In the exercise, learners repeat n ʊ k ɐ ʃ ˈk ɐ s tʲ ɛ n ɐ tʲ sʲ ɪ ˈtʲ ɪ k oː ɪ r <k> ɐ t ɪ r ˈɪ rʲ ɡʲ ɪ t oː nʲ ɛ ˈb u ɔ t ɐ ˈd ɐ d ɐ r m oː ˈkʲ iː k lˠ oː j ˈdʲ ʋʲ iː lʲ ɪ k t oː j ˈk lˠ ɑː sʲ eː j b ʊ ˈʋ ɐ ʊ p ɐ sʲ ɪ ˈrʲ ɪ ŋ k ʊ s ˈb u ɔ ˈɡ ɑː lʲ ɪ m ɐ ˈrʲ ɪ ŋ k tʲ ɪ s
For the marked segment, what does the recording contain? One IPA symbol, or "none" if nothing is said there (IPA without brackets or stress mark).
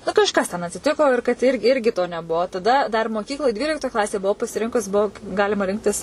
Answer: k